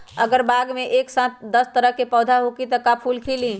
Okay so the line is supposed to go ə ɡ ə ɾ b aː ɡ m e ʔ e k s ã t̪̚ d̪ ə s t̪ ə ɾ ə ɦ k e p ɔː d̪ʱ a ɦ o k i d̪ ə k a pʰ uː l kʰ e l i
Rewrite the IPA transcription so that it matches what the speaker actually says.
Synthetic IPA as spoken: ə ɡ ə ɾ b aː ɡ m e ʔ e k s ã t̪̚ d̪ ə s t̪ ə ɾ ə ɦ k e p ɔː d̪ʱ a ɦ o k i t̪ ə k a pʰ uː l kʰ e l i